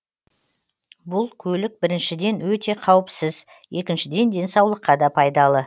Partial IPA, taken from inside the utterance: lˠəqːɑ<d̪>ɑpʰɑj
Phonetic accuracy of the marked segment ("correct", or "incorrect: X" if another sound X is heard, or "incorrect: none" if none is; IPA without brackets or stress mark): correct